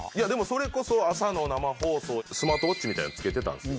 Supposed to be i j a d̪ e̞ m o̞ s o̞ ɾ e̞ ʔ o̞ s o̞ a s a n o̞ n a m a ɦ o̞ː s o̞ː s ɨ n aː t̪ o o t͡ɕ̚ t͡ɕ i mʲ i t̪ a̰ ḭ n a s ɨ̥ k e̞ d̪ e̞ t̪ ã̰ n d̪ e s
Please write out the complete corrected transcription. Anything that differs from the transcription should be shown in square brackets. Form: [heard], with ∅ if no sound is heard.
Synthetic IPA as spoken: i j a d̪ e̞ m o̞ s o̞ ɾ e̞ [k] o̞ s o̞ a s a n o̞ n a m a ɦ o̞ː s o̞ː s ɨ [m] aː t̪ o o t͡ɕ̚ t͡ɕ i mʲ i t̪ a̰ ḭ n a [t͡s] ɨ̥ k e̞ [t̪] e̞ t̪ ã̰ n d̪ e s